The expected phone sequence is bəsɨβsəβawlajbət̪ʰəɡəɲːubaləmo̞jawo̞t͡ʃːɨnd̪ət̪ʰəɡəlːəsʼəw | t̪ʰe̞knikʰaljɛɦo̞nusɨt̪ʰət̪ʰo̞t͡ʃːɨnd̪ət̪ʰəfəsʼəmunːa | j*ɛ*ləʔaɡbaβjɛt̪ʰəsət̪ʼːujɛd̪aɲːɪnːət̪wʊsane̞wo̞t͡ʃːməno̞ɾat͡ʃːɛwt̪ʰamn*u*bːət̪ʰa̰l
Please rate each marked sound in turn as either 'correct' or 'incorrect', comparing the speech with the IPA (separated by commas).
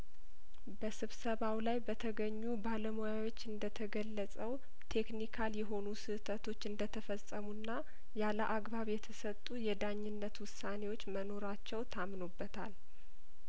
incorrect, incorrect